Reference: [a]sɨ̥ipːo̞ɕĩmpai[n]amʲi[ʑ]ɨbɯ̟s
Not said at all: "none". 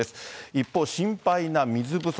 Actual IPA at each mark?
e, n, z

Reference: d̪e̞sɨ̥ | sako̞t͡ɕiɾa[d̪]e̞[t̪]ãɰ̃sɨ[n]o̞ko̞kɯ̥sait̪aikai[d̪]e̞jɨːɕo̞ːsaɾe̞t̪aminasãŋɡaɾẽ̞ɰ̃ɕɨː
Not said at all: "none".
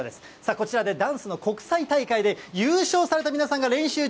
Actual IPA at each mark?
d̪, d̪, n, d̪

